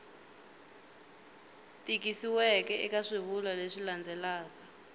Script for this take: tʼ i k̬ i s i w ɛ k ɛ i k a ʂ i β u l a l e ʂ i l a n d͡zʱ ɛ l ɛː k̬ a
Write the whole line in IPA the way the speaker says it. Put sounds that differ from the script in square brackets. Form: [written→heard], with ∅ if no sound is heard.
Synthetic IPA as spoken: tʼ i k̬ i s i w ɛ k ɛ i k a ʂ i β u l a l e ʂ i l a n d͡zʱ ɛ l [ɛː→aː] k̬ a